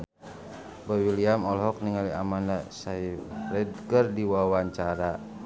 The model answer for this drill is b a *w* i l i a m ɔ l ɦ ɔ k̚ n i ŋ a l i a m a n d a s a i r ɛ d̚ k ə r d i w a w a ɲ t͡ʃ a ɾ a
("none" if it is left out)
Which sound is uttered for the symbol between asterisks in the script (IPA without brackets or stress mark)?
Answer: w